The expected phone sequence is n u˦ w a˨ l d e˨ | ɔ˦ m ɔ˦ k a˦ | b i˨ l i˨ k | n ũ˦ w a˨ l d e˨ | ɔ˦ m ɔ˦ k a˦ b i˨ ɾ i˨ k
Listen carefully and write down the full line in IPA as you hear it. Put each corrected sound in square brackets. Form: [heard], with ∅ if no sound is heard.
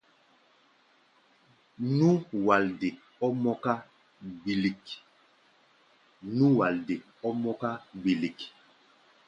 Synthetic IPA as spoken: n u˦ w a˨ l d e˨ | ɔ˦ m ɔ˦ k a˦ | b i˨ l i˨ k | n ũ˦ w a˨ l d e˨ | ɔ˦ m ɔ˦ k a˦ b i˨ [l] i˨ k